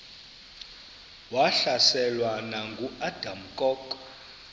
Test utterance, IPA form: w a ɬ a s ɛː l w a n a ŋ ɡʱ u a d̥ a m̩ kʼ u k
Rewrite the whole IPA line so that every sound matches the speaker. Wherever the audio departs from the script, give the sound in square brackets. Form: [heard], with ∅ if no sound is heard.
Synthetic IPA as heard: w a ɬ a s [ɛ] l w a n a ŋ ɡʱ u a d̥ a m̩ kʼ [ɔ] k